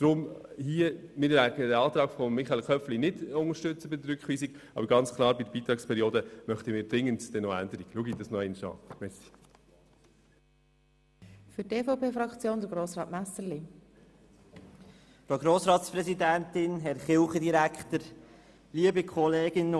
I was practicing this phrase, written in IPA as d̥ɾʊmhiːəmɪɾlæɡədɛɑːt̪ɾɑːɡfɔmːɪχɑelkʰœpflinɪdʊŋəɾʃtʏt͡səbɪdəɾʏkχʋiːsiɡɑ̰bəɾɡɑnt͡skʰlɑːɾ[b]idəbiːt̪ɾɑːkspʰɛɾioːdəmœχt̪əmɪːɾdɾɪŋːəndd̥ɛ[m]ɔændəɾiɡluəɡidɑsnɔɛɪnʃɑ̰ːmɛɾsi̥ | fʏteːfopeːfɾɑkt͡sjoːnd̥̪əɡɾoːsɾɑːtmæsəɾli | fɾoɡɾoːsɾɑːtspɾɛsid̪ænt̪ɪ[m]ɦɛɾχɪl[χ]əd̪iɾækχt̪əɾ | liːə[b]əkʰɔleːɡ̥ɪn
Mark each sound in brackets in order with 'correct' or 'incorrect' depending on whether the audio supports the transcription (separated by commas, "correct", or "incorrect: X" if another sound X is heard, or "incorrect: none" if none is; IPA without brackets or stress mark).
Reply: correct, incorrect: n, incorrect: n, correct, correct